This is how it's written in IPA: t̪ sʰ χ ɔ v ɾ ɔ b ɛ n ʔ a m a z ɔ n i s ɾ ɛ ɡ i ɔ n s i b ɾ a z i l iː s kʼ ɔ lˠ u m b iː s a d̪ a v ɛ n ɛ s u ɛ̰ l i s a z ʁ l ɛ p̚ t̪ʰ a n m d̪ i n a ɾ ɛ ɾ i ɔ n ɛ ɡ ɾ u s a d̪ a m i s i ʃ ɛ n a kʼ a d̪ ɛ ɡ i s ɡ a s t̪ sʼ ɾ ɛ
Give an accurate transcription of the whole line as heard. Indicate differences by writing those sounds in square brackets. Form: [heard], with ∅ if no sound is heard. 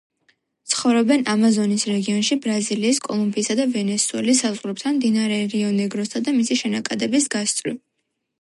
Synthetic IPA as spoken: t̪ sʰ χ ɔ v ɾ ɔ b ɛ n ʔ a m a z ɔ n i s ɾ ɛ ɡ i ɔ n [ʃ] i b ɾ a z i l iː s kʼ ɔ lˠ u m b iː s a d̪ a v ɛ n ɛ s u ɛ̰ l i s a z ʁ [ɾ] ɛ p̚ t̪ʰ a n m d̪ i n a ɾ ɛ ɾ i ɔ n ɛ ɡ ɾ [ɔ] s a d̪ a m i s i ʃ ɛ n a kʼ a d̪ ɛ [b] i s ɡ a s t̪ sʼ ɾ [i]